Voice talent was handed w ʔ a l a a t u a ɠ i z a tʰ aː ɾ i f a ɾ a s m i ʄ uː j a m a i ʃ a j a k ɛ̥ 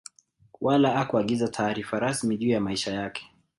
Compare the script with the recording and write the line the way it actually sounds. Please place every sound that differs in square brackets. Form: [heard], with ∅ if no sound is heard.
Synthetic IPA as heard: w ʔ a l a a [k] u a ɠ i z a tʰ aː ɾ i f a ɾ a s m i ʄ uː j a m a i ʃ a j a k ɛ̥